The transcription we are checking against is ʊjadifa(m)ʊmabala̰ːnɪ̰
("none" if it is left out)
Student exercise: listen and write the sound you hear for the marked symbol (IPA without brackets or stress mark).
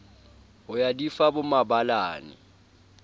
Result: b